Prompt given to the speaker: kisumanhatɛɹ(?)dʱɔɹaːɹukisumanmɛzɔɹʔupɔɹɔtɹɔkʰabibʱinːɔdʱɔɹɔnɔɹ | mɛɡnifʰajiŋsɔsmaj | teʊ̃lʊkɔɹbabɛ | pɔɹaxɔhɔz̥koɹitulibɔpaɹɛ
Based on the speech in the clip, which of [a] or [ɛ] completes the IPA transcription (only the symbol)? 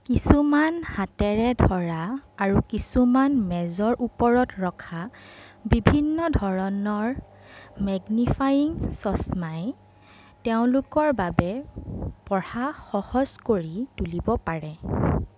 ɛ